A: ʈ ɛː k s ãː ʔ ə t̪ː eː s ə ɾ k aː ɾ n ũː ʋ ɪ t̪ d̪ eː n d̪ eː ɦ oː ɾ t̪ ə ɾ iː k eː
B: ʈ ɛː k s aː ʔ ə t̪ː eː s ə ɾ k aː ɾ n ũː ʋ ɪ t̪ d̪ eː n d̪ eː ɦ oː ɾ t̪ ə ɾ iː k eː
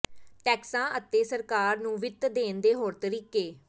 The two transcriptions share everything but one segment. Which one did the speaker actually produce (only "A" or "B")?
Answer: A